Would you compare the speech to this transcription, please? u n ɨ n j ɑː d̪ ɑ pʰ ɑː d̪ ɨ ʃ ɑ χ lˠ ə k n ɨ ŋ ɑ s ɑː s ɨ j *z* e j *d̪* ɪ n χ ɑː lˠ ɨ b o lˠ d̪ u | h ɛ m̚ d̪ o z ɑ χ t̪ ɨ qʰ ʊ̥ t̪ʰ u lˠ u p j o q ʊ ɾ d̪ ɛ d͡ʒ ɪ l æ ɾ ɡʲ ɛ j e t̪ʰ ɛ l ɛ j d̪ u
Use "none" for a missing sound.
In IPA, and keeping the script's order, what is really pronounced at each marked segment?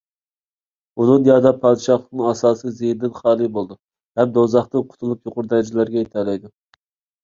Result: z, d̪

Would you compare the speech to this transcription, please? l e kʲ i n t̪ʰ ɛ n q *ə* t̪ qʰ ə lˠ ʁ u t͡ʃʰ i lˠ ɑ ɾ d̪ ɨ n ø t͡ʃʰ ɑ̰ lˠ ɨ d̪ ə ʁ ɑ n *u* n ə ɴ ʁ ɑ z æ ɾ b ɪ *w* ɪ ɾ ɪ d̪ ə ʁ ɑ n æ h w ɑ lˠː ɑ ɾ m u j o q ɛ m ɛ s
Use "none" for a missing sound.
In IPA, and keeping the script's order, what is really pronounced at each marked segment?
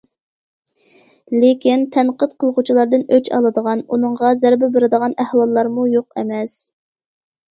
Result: ə, u, b

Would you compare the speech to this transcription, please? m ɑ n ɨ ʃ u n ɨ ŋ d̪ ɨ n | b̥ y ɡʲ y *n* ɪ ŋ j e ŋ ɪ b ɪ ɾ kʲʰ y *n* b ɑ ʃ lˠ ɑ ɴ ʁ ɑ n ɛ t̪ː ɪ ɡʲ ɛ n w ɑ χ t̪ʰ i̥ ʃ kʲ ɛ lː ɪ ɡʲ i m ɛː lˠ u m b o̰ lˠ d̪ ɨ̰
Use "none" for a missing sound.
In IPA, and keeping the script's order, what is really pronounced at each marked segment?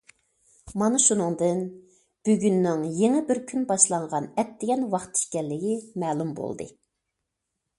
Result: nː, n

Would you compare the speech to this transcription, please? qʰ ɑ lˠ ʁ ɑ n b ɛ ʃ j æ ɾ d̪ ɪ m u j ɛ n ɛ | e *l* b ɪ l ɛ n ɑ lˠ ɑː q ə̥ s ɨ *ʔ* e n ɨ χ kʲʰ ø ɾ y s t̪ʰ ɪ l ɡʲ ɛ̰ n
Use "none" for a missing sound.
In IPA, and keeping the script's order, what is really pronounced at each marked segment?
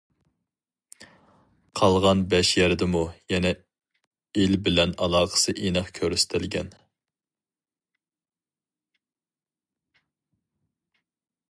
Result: l, ʔ

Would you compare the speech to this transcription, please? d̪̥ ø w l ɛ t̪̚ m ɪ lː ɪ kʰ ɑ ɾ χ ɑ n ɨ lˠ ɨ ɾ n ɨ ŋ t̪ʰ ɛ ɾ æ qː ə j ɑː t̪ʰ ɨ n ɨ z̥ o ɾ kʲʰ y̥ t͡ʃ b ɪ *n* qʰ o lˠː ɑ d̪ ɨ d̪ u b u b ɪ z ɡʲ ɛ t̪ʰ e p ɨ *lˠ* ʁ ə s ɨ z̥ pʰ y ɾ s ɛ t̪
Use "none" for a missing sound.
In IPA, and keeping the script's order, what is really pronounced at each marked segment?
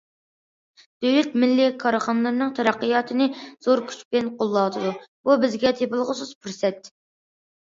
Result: n, lˠ

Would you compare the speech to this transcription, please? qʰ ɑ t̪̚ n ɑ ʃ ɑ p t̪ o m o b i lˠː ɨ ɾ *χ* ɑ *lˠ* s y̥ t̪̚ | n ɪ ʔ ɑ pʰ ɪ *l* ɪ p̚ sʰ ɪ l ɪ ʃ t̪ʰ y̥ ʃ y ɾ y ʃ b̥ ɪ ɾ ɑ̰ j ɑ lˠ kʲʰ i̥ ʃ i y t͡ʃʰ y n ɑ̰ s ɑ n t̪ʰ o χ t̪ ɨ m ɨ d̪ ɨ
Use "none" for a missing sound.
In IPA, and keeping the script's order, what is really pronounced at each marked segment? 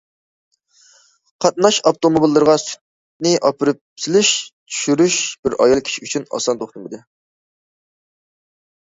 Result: ʁ, none, ɾ

